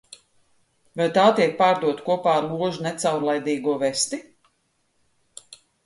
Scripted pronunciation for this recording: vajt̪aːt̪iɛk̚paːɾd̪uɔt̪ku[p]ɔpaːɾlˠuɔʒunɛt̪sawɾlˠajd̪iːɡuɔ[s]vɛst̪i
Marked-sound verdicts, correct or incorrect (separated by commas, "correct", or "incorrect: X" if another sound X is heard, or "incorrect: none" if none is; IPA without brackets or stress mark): incorrect: none, incorrect: none